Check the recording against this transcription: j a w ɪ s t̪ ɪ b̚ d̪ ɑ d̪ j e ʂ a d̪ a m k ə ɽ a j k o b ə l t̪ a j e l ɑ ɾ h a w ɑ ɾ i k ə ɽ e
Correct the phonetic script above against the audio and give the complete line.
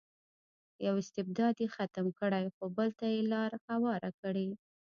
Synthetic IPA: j a w ɪ s t̪ ɪ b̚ d̪ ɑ d̪ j e x a t̪ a m k ə ɽ a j x o b ə l t̪ a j e l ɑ ɾ h a w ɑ ɾ a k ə ɽ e